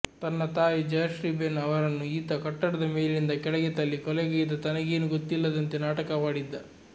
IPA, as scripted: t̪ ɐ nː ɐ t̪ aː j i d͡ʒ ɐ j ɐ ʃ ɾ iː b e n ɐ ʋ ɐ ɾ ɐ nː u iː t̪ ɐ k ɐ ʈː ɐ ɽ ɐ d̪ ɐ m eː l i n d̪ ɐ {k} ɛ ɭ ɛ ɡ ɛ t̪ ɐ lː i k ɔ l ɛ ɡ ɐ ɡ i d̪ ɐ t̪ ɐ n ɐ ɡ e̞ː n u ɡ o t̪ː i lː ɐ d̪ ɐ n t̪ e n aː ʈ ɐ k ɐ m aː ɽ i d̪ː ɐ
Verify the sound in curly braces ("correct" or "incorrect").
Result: correct